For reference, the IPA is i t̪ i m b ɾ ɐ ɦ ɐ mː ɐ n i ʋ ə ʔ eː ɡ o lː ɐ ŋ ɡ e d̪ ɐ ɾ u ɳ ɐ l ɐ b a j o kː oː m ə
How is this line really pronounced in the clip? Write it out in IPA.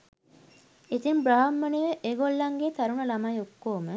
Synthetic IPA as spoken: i t̪ i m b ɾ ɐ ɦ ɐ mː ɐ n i ʋ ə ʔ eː ɡ o lː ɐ ŋ ɡ e t̪ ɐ ɾ u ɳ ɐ l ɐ m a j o kː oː m ə